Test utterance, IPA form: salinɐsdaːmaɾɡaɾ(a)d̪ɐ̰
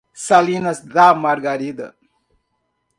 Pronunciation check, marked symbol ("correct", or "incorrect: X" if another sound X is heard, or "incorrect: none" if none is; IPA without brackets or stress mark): incorrect: i